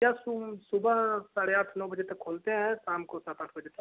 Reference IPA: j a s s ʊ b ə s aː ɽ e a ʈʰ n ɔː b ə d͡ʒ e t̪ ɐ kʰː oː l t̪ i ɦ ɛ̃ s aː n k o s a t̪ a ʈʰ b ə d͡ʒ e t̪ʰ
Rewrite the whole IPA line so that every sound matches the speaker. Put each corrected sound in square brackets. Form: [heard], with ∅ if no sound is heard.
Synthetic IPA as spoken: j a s s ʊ b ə s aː ɽ e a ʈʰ n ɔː b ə d͡ʒ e t̪ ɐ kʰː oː l t̪ [e] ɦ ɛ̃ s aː [m] k o s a t̪ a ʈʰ b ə d͡ʒ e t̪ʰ